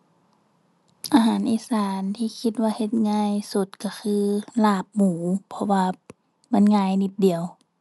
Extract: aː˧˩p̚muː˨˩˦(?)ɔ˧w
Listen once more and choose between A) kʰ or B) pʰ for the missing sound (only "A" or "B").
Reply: B